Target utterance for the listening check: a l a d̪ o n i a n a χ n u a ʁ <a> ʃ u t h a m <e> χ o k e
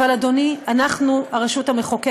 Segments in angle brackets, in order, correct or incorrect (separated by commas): incorrect, correct